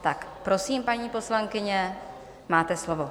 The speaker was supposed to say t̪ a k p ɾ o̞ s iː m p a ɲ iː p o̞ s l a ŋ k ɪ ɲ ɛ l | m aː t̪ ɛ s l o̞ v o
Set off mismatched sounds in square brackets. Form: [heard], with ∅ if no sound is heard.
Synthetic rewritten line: t̪ a k p ɾ o̞ s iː m p a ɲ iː p o̞ s l a ŋ k ɪ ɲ ɛ [∅] | m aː t̪ ɛ s l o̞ v o

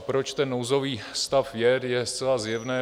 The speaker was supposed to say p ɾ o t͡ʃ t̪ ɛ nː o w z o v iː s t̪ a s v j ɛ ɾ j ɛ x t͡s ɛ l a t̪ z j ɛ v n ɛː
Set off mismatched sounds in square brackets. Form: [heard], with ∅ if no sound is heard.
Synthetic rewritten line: p ɾ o t͡ʃ t̪ ɛ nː o w z o v iː s t̪ a [f] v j ɛ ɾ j ɛ [s] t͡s ɛ l a [∅] z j ɛ v n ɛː

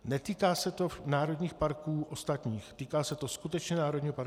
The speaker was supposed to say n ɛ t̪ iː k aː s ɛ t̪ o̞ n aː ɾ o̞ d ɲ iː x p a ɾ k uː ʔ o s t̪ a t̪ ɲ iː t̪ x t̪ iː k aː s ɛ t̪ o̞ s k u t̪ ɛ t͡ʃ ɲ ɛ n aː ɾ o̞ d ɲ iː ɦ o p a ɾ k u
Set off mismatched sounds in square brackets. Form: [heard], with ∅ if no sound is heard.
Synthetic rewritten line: n ɛ t̪ iː k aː s ɛ t̪ o̞ n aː ɾ o̞ d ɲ iː x p a ɾ k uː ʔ o s t̪ a t̪ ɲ iː [∅] x t̪ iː k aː s ɛ t̪ o̞ s k u t̪ ɛ t͡ʃ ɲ ɛ n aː ɾ o̞ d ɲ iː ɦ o p a ɾ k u

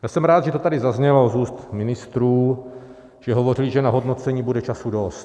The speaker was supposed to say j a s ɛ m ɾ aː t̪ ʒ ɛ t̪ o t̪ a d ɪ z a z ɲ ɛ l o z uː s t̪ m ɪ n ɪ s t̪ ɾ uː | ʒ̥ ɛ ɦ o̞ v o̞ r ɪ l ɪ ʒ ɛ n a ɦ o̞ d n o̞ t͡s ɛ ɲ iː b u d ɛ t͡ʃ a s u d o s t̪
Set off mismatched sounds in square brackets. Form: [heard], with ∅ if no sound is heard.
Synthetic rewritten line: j a s ɛ m ɾ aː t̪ ʒ ɛ t̪ o t̪ a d ɪ z a z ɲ ɛ l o z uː s t̪ m ɪ n ɪ s t̪ ɾ uː | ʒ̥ ɛ ɦ o̞ v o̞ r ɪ l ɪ ʒ ɛ n a ɦ o̞ d n o̞ t͡s ɛ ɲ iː b u d ɛ t͡ʃ a s u d o s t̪

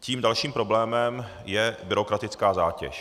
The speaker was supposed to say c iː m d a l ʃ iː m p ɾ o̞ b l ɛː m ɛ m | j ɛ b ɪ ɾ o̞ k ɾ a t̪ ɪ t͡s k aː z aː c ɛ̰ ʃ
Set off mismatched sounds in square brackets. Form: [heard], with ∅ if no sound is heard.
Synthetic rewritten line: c iː m d a l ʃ iː m p ɾ o̞ b l ɛː m ɛ m | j ɛ b ɪ ɾ o̞ k ɾ a t̪ ɪ t͡s k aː z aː c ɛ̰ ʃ

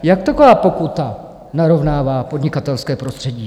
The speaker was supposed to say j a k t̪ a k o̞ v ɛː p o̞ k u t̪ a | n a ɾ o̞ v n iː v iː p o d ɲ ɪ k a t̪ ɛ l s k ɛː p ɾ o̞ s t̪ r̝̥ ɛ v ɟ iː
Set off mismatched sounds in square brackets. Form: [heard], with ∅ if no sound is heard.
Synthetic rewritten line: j a k t̪ a k o̞ v [aː] p o̞ k u t̪ a | n a ɾ o̞ v n [aː] v [aː] p o d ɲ ɪ k a t̪ ɛ l s k ɛː p ɾ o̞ s t̪ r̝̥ ɛ [∅] ɟ iː

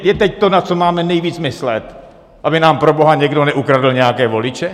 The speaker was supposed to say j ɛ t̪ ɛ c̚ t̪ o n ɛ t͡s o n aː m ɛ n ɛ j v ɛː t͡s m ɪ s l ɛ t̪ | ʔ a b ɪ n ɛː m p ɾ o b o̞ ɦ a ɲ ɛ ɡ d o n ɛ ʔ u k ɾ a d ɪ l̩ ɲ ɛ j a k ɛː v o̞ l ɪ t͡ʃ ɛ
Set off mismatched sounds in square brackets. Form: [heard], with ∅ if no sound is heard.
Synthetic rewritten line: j ɛ t̪ ɛ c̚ t̪ o n [a] t͡s o [m] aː m ɛ n ɛ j v [iː] t͡s m ɪ s l ɛ t̪ | ʔ a b ɪ n [aː] m p ɾ o b o̞ ɦ a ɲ ɛ ɡ d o n ɛ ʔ u k ɾ a d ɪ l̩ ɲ ɛ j a k ɛː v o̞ l ɪ t͡ʃ ɛ

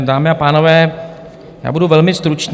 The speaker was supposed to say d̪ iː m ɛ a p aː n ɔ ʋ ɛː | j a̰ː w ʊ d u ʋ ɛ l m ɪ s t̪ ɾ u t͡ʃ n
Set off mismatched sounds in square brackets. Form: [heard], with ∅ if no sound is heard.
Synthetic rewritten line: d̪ [aː] m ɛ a p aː n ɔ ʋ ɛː | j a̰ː [b] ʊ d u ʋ ɛ l m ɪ s t̪ ɾ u t͡ʃ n

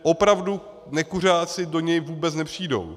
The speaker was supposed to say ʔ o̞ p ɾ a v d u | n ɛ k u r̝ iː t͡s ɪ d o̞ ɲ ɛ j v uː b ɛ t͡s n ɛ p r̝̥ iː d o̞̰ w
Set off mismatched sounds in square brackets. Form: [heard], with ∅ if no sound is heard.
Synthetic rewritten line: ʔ o̞ p ɾ a v d u | n ɛ k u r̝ [aː] t͡s ɪ d o̞ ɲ ɛ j v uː b ɛ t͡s n ɛ p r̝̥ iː d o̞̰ w

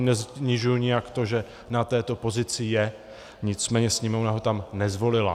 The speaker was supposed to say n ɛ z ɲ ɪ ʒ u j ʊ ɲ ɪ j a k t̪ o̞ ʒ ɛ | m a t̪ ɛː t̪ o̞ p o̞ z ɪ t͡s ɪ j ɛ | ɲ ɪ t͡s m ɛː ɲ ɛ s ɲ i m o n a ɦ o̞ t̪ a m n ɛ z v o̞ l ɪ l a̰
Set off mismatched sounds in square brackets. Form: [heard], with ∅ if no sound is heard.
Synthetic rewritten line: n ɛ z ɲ ɪ ʒ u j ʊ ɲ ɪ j a k t̪ o̞ ʒ ɛ | [n] a t̪ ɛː t̪ o̞ p o̞ z ɪ t͡s ɪ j ɛ | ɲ ɪ t͡s m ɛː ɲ ɛ s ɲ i m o n a ɦ o̞ t̪ a m n ɛ z v o̞ l ɪ l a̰

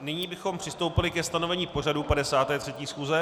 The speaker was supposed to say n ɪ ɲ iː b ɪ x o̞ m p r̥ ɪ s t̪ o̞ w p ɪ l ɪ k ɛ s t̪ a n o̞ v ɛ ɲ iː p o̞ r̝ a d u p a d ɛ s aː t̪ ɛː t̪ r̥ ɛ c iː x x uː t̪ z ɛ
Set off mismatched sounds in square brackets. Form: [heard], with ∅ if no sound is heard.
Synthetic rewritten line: n ɪ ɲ iː b ɪ x o̞ m p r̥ ɪ s t̪ o̞ w p ɪ l ɪ k ɛ s t̪ a n o̞ v ɛ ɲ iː p o̞ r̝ a d u p a d ɛ s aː t̪ ɛː t̪ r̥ ɛ c iː [s] x uː [∅] z ɛ

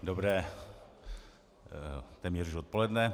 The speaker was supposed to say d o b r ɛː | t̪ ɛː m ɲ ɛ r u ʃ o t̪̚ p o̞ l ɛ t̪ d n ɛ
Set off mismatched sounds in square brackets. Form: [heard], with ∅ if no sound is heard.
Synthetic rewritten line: d o b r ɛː | t̪ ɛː m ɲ ɛ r u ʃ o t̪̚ p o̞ l ɛ [∅] d n ɛ

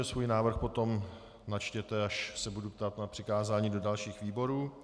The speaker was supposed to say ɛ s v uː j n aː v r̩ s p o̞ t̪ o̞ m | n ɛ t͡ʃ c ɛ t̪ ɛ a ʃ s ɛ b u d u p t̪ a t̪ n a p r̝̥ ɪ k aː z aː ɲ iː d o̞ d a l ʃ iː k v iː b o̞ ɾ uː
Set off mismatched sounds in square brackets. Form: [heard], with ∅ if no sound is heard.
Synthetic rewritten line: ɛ s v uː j n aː v r̩ [x] p o̞ t̪ o̞ m | n [a] t͡ʃ c ɛ t̪ ɛ a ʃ s ɛ b u d u p t̪ a t̪ n a p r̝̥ ɪ k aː z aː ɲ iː d o̞ d a l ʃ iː [x] v iː b o̞ ɾ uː

